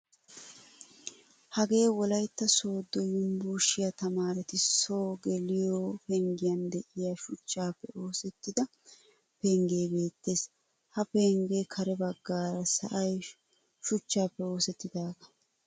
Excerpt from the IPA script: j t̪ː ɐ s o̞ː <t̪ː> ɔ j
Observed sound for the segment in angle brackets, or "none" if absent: d̪ː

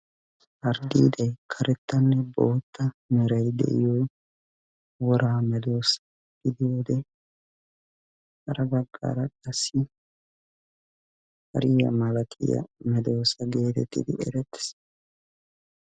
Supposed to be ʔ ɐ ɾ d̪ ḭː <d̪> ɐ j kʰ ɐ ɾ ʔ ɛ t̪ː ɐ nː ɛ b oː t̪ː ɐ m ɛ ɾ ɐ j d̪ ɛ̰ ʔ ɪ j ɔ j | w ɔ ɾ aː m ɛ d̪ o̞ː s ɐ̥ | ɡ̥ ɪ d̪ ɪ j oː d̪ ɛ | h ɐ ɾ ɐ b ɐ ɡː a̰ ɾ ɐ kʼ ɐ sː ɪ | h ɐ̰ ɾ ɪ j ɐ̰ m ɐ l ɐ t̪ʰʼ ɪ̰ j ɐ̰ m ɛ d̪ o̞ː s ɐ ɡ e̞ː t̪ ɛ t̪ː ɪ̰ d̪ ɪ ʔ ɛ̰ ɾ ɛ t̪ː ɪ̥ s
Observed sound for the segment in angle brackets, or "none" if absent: d̪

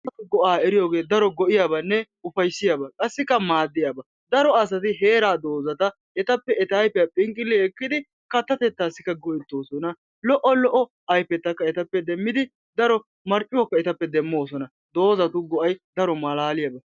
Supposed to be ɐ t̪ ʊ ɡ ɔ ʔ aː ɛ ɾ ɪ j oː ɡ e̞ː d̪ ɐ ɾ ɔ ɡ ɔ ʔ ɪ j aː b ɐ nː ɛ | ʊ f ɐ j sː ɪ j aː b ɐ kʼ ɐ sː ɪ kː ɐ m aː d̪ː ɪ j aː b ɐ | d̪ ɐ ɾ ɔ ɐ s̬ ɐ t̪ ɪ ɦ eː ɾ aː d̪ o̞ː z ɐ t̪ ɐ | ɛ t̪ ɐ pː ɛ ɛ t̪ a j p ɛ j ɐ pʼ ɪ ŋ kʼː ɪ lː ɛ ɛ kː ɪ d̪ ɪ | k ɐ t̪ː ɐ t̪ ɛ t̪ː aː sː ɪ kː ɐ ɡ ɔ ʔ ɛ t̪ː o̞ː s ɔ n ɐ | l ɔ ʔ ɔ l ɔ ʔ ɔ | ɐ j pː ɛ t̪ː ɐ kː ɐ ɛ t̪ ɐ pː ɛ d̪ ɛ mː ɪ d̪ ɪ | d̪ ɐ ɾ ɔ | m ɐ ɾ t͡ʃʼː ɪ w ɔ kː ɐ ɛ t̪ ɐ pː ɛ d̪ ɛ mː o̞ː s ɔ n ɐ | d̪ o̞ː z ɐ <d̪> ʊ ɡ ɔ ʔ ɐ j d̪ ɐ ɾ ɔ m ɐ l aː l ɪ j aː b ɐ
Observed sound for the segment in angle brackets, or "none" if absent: t̪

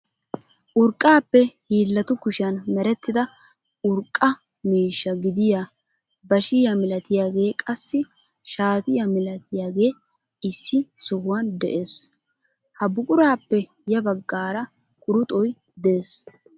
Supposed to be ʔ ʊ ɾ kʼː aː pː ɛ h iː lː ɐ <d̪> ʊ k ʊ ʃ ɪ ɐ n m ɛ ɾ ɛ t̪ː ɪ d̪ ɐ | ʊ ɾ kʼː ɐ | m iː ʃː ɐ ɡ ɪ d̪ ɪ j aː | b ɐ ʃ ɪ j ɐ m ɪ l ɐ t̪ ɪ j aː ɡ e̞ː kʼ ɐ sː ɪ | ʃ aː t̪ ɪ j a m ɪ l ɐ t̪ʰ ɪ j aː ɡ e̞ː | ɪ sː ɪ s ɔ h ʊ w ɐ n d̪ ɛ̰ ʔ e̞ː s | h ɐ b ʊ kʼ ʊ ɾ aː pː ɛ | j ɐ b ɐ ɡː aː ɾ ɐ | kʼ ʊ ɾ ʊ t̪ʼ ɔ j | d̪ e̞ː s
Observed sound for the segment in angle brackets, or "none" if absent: t̪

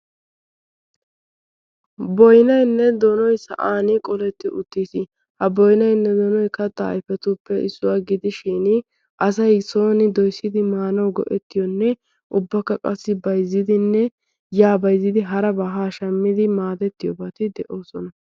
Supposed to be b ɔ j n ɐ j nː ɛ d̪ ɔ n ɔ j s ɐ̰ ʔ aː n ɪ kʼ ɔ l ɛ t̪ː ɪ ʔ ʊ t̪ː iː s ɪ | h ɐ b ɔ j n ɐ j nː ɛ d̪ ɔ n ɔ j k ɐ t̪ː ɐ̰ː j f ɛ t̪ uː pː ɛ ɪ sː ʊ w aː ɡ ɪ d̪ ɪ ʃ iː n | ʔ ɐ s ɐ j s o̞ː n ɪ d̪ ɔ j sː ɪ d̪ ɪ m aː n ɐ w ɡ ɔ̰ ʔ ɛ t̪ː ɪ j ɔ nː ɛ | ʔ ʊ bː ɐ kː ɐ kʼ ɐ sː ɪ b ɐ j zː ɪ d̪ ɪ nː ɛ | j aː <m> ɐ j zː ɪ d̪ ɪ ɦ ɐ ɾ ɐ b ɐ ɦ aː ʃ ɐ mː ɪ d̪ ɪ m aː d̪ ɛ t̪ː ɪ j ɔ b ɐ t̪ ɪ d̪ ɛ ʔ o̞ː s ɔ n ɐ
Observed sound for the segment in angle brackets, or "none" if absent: b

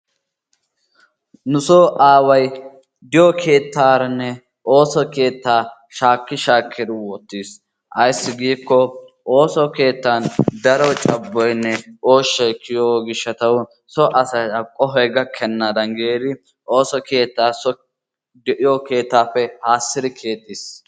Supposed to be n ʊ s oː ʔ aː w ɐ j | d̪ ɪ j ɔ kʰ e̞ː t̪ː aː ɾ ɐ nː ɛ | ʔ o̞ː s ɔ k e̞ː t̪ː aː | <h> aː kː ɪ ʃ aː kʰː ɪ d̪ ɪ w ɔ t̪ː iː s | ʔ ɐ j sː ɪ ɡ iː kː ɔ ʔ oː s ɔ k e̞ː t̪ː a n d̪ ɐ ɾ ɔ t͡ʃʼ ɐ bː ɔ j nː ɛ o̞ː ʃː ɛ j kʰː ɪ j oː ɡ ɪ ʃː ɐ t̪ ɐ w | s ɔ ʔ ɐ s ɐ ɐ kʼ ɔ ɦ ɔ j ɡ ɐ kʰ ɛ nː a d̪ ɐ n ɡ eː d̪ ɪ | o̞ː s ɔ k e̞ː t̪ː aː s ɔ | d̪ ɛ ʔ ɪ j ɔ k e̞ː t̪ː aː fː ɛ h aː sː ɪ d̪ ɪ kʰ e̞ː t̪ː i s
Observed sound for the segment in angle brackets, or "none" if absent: ʃ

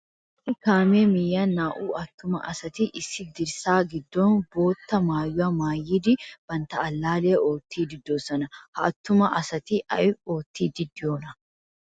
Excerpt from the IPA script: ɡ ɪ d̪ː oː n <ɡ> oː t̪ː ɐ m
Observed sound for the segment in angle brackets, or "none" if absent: b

